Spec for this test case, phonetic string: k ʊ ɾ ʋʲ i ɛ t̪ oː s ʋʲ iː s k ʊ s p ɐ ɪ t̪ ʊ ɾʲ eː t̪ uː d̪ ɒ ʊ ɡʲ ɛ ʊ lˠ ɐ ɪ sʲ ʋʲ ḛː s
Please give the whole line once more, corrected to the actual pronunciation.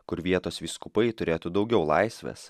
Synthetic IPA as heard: k ʊ ɾ ʋʲ i ɛ t̪ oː s ʋʲ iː s k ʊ p ɐ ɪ t̪ ʊ ɾʲ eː t̪ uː d̪ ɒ ʊ ɡʲ ɛ ʊ lˠ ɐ ɪ sʲ ʋʲ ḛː s